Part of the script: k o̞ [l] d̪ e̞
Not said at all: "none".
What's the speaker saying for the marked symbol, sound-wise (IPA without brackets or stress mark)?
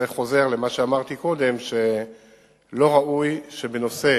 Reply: none